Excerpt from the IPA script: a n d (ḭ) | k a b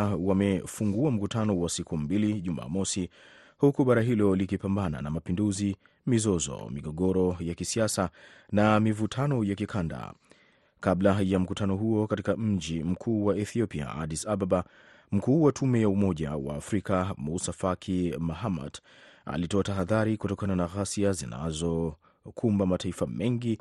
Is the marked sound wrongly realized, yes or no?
yes